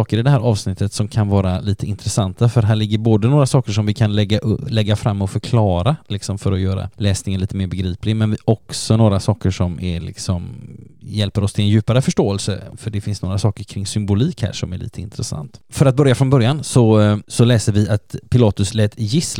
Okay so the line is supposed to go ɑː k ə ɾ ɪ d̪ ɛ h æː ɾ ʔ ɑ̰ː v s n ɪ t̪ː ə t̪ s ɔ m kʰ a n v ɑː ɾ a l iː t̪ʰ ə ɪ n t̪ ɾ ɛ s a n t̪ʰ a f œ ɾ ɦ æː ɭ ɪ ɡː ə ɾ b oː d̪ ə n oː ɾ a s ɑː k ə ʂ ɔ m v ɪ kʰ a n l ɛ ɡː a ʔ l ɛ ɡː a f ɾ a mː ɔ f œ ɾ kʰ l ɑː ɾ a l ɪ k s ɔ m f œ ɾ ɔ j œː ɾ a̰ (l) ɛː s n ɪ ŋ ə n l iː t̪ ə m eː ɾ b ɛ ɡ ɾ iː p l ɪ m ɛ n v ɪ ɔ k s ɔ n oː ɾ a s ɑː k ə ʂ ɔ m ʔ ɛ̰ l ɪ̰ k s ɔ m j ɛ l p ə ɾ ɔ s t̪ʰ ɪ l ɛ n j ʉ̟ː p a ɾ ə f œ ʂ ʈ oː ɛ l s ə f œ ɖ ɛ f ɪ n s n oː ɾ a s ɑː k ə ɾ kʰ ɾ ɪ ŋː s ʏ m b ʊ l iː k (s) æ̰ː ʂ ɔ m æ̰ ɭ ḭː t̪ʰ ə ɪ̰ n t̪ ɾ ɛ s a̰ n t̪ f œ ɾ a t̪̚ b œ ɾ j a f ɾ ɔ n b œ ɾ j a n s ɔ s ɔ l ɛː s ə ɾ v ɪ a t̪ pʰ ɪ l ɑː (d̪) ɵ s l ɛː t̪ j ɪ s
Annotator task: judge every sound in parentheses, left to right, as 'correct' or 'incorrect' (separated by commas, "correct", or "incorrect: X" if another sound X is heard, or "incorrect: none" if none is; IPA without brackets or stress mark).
correct, incorrect: h, incorrect: t̪